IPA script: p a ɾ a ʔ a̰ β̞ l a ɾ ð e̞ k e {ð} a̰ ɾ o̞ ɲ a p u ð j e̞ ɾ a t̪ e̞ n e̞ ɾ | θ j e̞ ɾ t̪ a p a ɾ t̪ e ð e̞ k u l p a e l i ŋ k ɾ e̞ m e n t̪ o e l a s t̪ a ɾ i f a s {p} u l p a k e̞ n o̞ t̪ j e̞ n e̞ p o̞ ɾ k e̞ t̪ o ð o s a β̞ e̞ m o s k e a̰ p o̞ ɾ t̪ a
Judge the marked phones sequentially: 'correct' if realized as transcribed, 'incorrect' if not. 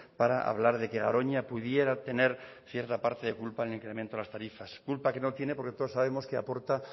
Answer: incorrect: ɣ, incorrect: k

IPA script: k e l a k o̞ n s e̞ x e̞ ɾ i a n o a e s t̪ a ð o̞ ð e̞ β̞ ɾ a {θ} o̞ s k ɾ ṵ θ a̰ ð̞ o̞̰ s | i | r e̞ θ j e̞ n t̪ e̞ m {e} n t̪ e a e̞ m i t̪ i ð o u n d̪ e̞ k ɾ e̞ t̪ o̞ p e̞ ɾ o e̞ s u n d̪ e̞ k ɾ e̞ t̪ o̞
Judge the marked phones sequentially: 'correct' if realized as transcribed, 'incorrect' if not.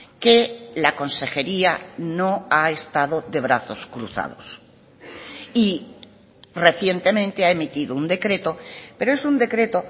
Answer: correct, incorrect: ẽ

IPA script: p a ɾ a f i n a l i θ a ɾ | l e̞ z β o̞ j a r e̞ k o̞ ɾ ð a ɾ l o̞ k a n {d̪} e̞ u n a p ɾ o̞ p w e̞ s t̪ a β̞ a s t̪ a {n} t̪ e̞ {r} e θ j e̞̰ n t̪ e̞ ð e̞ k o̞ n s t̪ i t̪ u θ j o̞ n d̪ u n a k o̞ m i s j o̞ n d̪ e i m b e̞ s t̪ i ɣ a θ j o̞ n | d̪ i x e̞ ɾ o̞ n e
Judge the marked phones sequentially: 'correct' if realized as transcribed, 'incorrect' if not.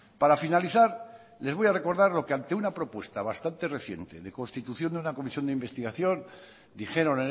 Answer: incorrect: t̪, correct, correct

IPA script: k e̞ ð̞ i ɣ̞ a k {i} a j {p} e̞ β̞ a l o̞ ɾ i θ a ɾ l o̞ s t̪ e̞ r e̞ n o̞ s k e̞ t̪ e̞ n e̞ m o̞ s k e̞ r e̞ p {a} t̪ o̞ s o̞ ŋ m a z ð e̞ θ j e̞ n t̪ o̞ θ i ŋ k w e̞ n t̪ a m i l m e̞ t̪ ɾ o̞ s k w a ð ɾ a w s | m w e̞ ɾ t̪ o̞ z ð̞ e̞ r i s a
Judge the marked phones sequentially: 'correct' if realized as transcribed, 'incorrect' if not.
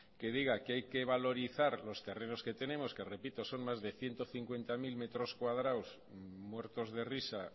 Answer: incorrect: e, incorrect: k, incorrect: i

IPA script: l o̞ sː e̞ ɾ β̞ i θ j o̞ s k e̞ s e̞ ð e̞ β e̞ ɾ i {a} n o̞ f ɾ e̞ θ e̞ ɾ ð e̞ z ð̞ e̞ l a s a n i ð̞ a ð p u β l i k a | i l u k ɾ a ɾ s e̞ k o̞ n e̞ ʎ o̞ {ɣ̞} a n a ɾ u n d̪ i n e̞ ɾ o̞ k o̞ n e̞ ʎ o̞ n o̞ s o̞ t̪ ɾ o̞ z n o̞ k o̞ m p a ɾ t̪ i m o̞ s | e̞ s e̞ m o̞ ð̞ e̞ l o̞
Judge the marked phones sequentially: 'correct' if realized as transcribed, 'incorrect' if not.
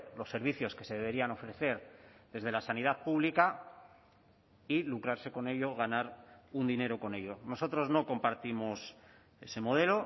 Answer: correct, correct

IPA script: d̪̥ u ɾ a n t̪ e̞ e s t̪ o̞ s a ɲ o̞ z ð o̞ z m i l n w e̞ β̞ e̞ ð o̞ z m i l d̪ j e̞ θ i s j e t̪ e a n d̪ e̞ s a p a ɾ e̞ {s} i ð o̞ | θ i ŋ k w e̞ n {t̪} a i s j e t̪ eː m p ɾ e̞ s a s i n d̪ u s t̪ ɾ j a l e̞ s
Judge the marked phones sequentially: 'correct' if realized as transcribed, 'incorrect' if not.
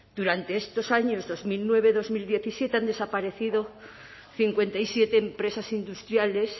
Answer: incorrect: θ, correct

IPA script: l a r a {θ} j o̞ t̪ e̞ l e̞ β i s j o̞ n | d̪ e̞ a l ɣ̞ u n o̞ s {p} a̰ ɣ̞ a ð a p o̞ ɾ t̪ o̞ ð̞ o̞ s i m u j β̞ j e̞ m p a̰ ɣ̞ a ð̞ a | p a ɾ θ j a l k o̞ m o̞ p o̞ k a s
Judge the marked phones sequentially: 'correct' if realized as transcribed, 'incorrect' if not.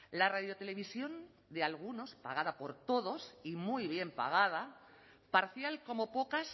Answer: incorrect: ð, correct

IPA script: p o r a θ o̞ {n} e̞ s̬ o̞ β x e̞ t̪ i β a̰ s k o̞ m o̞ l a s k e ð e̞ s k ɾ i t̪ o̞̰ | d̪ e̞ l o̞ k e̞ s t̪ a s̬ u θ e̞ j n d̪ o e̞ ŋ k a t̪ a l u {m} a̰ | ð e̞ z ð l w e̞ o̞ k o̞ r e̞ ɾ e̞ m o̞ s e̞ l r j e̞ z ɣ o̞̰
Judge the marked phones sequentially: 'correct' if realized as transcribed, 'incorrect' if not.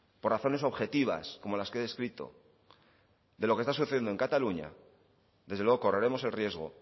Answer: correct, incorrect: ɲ

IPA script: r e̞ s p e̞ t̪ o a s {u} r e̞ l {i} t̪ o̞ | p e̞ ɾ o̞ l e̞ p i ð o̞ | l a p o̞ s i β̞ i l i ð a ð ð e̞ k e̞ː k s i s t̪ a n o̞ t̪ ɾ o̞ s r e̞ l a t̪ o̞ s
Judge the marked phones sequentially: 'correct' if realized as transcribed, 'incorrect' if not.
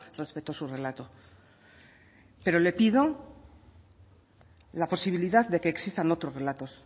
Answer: correct, incorrect: a

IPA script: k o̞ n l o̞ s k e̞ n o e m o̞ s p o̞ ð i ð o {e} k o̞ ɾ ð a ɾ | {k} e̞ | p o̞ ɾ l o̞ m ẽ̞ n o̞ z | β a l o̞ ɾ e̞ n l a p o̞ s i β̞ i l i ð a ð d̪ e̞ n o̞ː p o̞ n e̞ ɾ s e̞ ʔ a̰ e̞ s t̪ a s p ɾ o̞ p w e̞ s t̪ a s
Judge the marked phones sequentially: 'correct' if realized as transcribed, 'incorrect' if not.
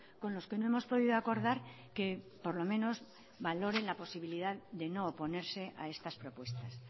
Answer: incorrect: a, correct

